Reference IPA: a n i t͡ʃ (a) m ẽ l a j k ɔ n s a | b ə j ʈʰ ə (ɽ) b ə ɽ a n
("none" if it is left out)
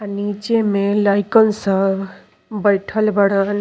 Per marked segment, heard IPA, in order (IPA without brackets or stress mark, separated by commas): e, l